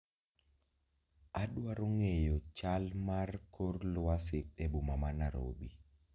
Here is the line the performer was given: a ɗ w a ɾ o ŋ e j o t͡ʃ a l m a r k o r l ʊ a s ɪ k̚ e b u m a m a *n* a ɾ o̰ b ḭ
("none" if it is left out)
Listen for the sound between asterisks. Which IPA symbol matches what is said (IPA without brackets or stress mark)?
n